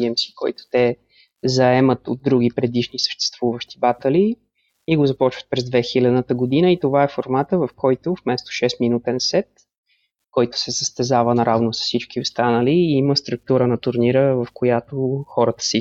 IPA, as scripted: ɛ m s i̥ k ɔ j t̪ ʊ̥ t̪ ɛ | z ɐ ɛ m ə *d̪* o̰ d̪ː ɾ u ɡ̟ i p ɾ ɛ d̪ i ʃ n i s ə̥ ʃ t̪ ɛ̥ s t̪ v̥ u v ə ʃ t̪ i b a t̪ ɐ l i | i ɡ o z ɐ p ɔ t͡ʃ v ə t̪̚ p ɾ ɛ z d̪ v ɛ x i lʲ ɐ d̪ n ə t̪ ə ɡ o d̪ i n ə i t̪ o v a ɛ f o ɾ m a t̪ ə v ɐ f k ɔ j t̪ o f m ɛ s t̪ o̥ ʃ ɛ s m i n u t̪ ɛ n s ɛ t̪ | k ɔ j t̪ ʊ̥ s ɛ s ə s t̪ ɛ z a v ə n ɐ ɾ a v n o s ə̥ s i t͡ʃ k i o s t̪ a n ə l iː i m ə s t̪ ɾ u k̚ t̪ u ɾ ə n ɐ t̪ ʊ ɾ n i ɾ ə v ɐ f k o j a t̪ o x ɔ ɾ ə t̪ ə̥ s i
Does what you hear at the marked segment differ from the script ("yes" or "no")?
yes